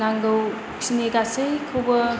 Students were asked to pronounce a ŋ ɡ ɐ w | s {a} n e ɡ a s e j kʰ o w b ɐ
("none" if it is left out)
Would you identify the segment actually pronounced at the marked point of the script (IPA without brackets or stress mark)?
i